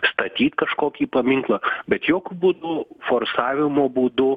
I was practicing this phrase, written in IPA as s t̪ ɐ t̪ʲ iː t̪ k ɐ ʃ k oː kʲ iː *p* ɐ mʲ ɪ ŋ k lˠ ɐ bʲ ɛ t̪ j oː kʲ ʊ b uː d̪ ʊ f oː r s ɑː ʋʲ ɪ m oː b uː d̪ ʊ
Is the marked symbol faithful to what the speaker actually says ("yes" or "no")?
yes